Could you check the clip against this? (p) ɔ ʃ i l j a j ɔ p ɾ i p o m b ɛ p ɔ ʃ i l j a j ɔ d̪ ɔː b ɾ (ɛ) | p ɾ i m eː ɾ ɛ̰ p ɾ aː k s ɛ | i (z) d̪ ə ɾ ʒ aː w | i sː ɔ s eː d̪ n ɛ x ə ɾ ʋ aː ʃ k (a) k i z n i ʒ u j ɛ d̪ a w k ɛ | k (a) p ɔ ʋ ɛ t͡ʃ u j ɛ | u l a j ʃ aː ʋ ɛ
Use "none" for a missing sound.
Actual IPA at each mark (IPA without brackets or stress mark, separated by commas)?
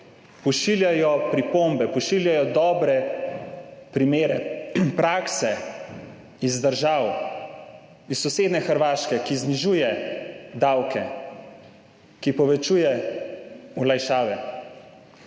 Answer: p, ɛ, z, ɛ, i